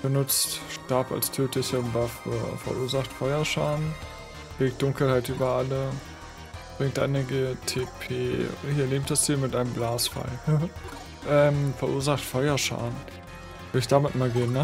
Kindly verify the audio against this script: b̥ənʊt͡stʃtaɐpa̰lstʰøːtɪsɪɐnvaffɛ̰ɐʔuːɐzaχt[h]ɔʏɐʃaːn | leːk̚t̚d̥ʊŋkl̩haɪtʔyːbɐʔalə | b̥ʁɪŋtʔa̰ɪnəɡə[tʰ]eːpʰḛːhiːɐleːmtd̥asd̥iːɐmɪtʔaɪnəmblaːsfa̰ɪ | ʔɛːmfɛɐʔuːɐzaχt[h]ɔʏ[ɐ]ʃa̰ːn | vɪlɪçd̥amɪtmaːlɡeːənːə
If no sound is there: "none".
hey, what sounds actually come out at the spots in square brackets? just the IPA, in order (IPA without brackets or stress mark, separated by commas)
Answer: f, tʰ, f, ɐ